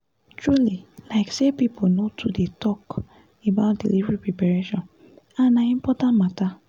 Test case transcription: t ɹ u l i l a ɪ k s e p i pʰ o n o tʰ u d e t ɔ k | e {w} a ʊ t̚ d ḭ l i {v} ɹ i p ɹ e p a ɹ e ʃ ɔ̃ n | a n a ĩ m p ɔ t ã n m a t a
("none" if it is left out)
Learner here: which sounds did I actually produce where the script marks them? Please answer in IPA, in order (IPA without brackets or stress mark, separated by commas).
b, v